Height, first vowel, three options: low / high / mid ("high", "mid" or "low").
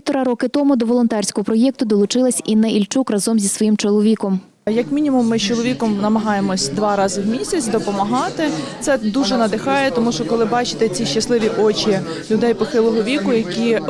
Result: mid